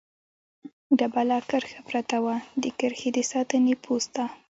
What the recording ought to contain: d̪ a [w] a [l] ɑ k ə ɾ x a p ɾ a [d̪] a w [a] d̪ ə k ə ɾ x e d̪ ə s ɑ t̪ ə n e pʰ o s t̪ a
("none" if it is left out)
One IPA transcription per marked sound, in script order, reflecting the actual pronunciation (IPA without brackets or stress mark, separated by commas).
b, l, t̪, a